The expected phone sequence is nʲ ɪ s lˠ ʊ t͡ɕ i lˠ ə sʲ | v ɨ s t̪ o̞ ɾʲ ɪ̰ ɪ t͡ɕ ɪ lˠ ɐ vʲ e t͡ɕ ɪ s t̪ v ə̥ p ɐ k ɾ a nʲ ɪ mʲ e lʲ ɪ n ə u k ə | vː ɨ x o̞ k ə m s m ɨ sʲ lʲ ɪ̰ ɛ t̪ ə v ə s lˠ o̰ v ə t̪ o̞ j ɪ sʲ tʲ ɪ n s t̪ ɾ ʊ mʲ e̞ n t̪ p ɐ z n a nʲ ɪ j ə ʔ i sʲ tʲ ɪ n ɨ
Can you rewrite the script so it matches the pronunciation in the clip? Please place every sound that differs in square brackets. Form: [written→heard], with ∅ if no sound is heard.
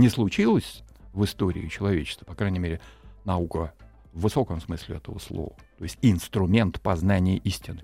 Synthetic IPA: nʲ ɪ s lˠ ʊ t͡ɕ i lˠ ə sʲ | v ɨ s t̪ o̞ ɾʲ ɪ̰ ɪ t͡ɕ ɪ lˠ ɐ vʲ e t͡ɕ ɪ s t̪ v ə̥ p ɐ k ɾ a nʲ ɪ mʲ e [lʲ→ɾʲ] ɪ n [ə→ɐ] u k ə | vː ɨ [x→s] o̞ k ə m s m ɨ sʲ lʲ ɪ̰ ɛ t̪ ə v ə s lˠ o̰ v ə t̪ o̞ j ɪ sʲ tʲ ɪ n s t̪ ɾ ʊ mʲ e̞ n t̪ p ɐ z n a nʲ ɪ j ə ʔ i sʲ tʲ ɪ n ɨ